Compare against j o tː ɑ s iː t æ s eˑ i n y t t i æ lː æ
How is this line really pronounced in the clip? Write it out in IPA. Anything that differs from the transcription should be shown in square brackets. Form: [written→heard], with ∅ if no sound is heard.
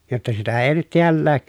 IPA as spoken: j o tː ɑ s [iː→i] t æ [s→∅] eˑ i n y t t i æ lː [æ→æː]